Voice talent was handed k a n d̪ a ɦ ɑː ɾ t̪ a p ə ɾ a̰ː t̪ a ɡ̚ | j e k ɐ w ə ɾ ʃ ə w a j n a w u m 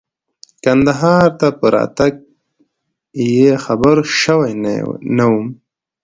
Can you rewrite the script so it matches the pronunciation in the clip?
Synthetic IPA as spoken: k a n d̪ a ɦ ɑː ɾ t̪ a p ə ɾ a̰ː t̪ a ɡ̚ | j e x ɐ b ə ɾ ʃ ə w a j n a w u m